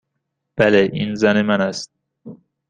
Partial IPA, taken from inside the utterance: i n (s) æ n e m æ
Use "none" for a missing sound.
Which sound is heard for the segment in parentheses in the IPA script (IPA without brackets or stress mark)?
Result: z